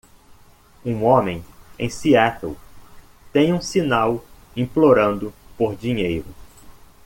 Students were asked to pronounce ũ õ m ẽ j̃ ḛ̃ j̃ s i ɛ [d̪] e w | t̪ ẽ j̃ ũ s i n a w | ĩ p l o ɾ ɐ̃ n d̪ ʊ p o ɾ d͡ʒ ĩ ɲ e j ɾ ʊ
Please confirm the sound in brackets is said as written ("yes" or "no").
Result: no